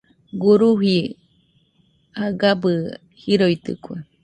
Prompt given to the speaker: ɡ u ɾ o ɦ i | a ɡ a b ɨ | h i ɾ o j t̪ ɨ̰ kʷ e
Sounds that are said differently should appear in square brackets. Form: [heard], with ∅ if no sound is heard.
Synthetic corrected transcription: ɡ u ɾ [u] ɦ i | a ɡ a b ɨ | h i ɾ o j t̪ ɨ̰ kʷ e